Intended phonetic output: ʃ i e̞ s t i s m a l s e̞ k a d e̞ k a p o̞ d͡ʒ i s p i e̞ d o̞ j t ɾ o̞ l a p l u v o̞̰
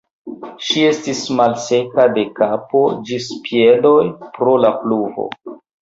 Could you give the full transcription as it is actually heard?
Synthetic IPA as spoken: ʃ i e̞ s t i s m a l s e̞ k a d e̞ k a p o̞ d͡ʒ i s p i e̞ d o̞ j p ɾ o̞ l a p l u v o̞̰

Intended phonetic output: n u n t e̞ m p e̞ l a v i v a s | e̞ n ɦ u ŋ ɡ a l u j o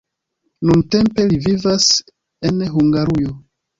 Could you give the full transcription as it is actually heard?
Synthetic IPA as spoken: n u n t e̞ m p e̞ l i v i v a s | e̞ n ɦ u ŋ ɡ a ɾ u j o

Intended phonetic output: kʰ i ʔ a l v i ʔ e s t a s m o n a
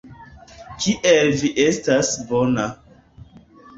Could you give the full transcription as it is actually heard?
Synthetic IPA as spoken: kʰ i ʔ e l v i ʔ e s t a s b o n a

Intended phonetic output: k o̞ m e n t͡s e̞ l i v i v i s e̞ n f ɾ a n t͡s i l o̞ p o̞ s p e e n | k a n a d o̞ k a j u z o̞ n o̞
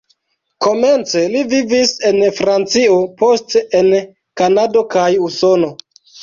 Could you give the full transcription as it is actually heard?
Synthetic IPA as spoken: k o̞ m e n t͡s e̞ l i v i v i s e̞ n f ɾ a n t͡s i o̞ p o̞ s t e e n | k a n a d o̞ k a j u s o̞ n o̞

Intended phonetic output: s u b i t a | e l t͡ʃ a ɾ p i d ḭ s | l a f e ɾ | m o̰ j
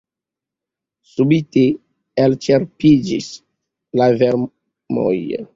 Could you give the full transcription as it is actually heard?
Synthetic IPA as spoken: s u b i t e | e l t͡ʃ e ɾ p i d͡ʒ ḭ s | l a v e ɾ | m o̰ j

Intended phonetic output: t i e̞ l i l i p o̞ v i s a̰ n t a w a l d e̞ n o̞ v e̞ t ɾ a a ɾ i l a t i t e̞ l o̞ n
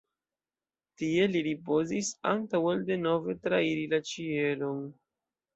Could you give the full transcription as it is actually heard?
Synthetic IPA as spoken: t i e̞ l i ɾ i p o̞ z i s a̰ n t a w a l d e̞ n o̞ v e̞ t ɾ a i ɾ i l a t͡ʃ i e̞ l o̞ n

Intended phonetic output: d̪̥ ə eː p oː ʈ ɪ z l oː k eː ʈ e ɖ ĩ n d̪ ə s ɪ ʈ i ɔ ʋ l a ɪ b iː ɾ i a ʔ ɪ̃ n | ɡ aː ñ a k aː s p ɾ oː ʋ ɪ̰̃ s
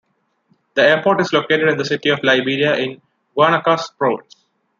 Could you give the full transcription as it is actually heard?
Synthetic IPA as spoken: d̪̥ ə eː p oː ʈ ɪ z l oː k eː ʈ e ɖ ɪ̃ n d̪ ə s ɪ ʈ i ɔ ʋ l a ɪ b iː ɾ i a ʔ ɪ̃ n | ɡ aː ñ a k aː s p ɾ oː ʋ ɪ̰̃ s

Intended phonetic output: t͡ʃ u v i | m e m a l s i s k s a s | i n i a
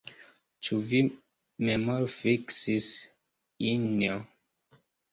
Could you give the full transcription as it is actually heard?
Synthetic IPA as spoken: t͡ʃ u v i | m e m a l f i k s i s | i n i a

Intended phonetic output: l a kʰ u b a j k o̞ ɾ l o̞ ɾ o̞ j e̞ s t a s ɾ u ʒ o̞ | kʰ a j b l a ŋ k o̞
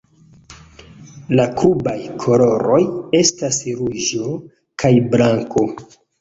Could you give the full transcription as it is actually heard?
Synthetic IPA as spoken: l a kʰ u b a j kʰ o̞ l o̞ ɾ o̞ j e̞ s t a s ɾ u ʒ o̞ | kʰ a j b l a ŋ k o̞

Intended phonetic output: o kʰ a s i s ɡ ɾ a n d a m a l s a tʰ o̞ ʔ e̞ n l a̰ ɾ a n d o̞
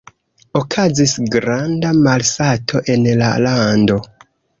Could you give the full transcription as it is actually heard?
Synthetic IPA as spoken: o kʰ a z i s ɡ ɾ a n d a m a l s a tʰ o̞ ʔ e̞ n l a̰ l a n d o̞

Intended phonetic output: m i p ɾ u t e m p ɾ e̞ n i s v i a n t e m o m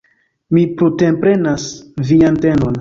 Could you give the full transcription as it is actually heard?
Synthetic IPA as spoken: m i p ɾ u t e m p ɾ e̞ n a s v i a n t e n o n

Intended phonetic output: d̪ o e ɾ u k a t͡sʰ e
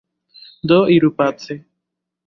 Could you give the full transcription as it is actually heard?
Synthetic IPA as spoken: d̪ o i ɾ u p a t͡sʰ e

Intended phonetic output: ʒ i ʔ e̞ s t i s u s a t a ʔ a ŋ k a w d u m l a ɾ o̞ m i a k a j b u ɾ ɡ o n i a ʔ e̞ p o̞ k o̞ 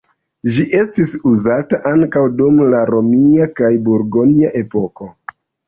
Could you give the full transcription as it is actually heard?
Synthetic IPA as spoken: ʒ i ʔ e̞ s t i s u z a t a ʔ a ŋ k a w d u m l a ɾ o̞ m i a k a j b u ɾ ɡ o n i a ʔ e̞ p o̞ k o̞

